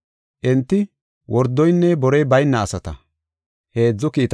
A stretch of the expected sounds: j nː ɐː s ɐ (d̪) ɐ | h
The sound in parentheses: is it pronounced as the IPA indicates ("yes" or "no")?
no